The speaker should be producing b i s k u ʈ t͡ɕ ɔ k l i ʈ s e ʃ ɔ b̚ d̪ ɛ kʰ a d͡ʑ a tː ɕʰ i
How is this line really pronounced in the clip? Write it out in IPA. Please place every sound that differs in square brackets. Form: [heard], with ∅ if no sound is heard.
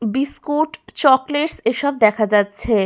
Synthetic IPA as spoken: b i s k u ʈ t͡ɕ ɔ k l [e] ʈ s e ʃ ɔ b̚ d̪ ɛ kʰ a d͡ʑ a tː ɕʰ [e]